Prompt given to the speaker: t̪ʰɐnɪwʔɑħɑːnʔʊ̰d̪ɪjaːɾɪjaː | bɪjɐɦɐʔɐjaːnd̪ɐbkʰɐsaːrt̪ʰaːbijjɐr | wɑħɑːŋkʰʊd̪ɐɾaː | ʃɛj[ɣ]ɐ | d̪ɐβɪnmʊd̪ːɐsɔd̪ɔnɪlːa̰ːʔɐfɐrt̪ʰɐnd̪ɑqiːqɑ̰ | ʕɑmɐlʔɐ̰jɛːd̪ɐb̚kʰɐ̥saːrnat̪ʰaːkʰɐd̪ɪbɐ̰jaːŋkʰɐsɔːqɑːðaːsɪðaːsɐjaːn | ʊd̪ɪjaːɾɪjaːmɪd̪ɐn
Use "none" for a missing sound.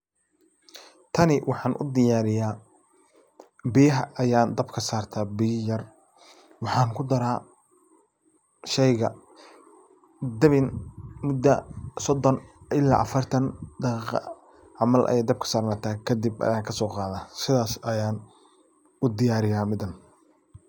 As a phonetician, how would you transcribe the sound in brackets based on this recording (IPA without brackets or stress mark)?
ɣ